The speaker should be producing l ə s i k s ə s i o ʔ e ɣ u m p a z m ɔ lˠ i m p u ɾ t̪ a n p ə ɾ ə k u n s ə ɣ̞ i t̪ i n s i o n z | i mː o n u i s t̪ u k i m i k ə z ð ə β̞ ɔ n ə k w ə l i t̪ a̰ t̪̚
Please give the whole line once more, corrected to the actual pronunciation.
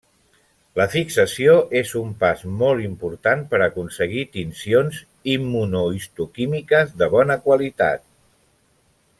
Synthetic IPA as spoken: l ə f i k s ə s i o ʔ e z u m p a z m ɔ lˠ i m p u ɾ t̪ a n p ə ɾ ə k u n s ə ɣ̞ i t̪ i n s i o n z | i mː u n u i s t̪ u k i m i k ə z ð ə β̞ ɔ n ə k w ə l i t̪ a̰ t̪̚

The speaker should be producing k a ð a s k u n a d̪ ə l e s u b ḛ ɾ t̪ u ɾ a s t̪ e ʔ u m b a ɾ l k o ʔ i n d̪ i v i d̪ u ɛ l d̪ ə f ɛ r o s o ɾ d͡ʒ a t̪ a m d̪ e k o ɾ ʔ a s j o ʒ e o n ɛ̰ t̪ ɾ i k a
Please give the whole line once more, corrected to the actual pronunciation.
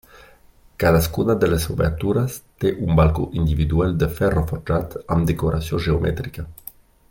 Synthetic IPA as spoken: k a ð a s k u n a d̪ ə l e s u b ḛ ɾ t̪ u ɾ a s t̪ e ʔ u m b a l k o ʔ i n d̪ i v i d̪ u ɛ l d̪ ə f ɛ r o f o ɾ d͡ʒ a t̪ a m d̪ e k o ɾ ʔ a s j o ʒ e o m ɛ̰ t̪ ɾ i k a

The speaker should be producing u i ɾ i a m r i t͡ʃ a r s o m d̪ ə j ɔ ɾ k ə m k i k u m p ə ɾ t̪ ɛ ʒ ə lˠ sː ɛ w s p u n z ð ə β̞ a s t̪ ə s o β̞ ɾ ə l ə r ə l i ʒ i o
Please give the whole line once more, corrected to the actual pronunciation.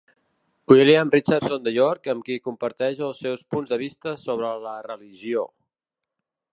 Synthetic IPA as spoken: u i l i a m r i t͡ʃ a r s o n d̪ ə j ɔ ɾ k ə m k i k u m p ə ɾ t̪ ɛ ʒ ə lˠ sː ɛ w s p u n z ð ə β̞ i s t̪ ə s o β̞ ɾ ə l ə r ə l i ʒ i o

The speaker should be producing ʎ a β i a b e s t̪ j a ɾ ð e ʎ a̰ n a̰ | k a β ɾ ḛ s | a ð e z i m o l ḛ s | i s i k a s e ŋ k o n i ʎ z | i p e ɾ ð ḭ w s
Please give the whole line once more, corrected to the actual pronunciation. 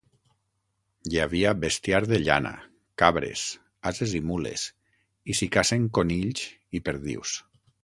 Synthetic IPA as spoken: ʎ a β i a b e s t̪ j a ɾ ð e ʎ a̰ n a̰ | k a β ɾ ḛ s | a z e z i m u l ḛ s | i s i k a s e ŋ k o n i ʎ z | i p e ɾ ð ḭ w s

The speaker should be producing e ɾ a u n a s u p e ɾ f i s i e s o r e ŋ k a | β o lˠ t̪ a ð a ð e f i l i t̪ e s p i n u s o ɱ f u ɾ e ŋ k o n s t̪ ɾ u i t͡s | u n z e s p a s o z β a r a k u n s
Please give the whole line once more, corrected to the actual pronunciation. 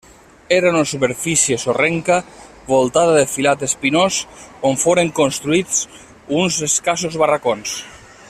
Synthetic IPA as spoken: e ɾ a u n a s u p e ɾ f i s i e s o r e ŋ k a | β o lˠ t̪ a ð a ð e f i l a t̪ e s p i n o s o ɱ f o ɾ e ŋ k o n s t̪ ɾ u i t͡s | u n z e s k a s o z β a r a k o n s

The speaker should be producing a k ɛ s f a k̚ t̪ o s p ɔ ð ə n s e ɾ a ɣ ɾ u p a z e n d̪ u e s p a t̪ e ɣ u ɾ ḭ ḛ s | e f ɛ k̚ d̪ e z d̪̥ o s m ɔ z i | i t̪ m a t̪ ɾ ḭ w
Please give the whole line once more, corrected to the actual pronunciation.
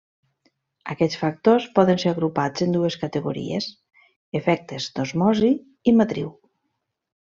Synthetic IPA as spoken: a k ɛ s f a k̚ t̪ o s p ɔ ð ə n s e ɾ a ɣ ɾ u p a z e n d̪ u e s k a t̪ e ɣ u ɾ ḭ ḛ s | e f ɛ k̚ t̪ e z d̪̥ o z m ɔ z i | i m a t̪ ɾ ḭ w

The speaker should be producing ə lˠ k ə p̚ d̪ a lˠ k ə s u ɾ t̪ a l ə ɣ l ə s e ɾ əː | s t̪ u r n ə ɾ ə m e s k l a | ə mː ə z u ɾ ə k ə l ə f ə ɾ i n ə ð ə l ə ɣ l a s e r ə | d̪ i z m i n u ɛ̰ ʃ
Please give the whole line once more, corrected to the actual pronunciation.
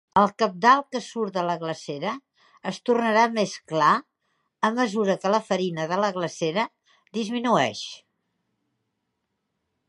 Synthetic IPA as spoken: ə lˠ k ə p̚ d̪ a lˠ k ə s u ɾ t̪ ə l ə ɣ l ə s e ɾ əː | s t̪ u r n ə ɾ a m e s k l a | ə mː ə z u ɾ ə k ə l ə f ə ɾ i n ə ð ə l ə ɣ l ə s e ɾ ə | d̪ i z m i n u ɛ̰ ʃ

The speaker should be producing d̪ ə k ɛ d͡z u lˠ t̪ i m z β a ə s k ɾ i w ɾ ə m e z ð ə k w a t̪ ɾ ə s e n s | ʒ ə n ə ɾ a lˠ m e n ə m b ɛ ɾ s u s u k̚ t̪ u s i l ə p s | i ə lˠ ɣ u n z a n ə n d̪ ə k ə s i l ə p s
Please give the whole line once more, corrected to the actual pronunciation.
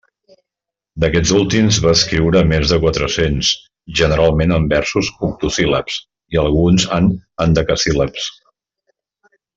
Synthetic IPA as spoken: d̪ ə k ɛ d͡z u lˠ t̪ i m z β a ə s k ɾ i w ɾ ə m e z ð ə k w a t̪ ɾ ə s e n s | ʒ ə n ə ɾ a lˠ m e n ə m b ɛ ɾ s u s u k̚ t̪ u s i l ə p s | i ə lˠ ɣ u n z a n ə n d̪ ə k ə s i l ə p s

